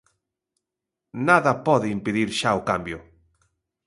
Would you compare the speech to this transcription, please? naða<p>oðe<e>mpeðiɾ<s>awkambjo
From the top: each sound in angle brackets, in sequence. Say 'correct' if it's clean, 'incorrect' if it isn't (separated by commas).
correct, incorrect, incorrect